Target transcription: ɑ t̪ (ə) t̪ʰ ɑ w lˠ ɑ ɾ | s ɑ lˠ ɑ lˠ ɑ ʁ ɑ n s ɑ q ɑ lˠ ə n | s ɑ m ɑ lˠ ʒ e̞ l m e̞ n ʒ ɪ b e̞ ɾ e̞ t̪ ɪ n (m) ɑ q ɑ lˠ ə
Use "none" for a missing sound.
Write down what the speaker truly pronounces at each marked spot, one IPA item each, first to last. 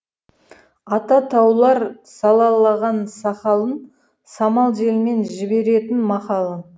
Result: ɑ, m

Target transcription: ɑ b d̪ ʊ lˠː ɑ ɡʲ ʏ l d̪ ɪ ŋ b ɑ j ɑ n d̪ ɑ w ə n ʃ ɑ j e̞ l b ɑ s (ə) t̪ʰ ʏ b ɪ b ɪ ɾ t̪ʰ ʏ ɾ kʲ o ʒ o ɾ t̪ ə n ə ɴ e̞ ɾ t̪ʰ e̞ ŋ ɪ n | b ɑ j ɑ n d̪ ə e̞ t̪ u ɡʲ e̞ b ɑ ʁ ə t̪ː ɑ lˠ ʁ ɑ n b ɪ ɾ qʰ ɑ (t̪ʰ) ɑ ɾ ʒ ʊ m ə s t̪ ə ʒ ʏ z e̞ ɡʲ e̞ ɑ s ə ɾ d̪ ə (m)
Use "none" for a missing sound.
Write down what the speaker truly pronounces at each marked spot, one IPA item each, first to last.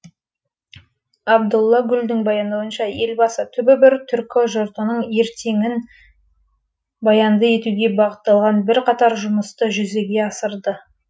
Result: ə, t̪, none

